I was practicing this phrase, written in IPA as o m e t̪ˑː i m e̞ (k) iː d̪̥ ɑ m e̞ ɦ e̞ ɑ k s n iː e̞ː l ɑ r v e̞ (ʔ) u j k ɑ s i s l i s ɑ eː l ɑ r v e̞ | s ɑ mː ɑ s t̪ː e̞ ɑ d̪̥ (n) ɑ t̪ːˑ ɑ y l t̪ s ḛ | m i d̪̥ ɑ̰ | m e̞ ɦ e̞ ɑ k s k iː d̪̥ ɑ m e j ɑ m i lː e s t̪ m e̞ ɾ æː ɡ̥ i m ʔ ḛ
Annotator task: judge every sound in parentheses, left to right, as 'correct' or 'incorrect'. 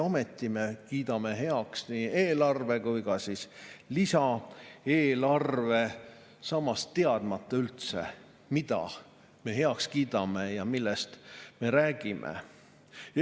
correct, incorrect: k, incorrect: m

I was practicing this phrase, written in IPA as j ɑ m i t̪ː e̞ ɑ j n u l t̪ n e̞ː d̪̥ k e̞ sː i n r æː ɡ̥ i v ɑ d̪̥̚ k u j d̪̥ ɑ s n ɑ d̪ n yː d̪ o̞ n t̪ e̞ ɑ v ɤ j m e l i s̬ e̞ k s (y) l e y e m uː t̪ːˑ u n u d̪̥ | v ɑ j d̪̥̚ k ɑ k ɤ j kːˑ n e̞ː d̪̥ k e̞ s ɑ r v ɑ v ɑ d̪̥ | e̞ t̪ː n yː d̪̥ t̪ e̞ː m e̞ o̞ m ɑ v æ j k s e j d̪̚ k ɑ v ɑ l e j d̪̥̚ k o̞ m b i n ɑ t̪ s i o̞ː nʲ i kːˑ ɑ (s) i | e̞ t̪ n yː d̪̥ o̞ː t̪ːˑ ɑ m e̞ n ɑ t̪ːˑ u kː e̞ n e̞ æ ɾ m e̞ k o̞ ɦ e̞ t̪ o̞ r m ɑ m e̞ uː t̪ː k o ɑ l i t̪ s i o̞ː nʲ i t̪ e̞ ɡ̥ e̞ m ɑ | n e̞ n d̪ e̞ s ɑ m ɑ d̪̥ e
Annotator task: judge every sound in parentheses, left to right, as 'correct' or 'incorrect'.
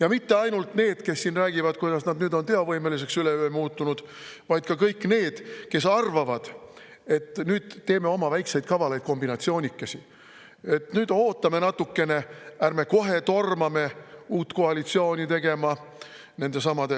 correct, correct

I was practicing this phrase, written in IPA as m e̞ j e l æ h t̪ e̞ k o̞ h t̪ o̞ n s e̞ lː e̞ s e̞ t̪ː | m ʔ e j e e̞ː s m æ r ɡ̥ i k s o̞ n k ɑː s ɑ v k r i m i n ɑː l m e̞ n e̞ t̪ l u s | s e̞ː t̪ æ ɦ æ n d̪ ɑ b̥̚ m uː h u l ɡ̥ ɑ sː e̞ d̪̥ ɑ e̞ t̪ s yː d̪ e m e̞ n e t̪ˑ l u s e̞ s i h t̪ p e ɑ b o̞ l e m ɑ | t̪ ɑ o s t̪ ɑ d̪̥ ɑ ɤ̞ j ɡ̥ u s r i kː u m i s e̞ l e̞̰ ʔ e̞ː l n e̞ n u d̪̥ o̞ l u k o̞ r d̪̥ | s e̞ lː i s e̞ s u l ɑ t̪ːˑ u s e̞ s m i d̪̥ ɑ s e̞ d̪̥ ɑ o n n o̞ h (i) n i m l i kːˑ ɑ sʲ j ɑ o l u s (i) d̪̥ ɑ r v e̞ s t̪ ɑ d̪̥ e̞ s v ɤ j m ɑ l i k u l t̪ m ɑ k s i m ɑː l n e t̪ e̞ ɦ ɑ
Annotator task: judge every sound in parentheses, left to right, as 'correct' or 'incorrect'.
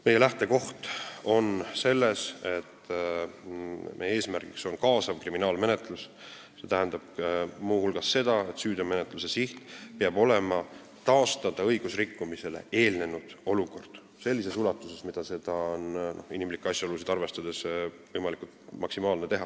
correct, correct

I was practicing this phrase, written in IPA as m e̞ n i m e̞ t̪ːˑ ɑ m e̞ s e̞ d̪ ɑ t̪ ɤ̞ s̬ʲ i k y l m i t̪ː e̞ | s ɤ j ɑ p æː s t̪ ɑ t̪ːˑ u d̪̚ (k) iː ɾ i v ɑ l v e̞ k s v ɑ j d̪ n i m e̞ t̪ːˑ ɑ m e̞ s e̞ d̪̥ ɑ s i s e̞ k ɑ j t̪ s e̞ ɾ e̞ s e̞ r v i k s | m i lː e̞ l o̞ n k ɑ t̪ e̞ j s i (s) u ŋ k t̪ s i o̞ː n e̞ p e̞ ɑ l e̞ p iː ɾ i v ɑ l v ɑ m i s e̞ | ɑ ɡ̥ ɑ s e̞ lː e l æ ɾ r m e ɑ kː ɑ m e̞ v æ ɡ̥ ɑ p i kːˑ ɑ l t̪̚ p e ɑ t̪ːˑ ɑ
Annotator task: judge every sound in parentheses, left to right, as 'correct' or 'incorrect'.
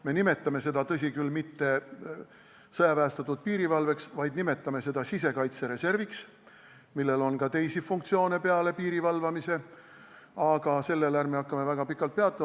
incorrect: p, incorrect: f

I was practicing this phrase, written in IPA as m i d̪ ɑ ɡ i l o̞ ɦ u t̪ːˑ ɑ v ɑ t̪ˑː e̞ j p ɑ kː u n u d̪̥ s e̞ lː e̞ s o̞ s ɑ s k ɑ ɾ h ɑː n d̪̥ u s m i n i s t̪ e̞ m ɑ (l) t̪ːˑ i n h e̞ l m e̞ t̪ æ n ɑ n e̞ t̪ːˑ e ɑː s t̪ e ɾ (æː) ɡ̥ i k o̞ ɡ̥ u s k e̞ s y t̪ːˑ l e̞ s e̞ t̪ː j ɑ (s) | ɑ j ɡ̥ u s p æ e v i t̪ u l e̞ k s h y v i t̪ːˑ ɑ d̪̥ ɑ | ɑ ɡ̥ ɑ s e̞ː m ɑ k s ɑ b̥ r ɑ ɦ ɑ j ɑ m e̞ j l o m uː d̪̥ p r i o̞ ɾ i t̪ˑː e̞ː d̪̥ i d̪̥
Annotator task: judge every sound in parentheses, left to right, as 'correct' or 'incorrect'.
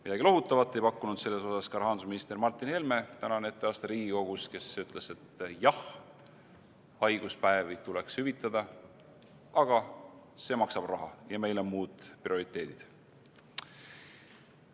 incorrect: r, incorrect: iː, incorrect: h

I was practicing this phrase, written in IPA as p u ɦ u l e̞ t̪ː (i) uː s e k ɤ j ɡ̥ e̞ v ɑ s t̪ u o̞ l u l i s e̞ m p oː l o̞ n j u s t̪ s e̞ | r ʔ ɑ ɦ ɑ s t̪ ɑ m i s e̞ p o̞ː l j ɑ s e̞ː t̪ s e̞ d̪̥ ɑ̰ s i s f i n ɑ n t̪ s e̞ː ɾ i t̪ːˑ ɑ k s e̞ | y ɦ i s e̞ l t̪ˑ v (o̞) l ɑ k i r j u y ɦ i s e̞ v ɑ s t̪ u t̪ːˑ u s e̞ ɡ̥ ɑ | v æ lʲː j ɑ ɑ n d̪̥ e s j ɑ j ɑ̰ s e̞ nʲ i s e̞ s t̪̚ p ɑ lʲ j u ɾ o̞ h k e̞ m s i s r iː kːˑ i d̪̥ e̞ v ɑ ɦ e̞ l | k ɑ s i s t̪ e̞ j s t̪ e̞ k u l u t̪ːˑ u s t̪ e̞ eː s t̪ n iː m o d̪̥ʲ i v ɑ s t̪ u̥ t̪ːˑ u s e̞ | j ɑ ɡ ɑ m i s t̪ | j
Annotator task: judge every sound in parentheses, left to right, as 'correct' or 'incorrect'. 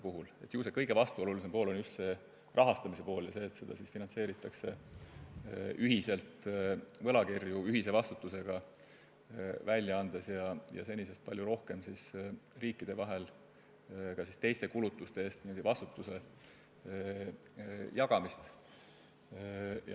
incorrect: j, incorrect: ɤ̞

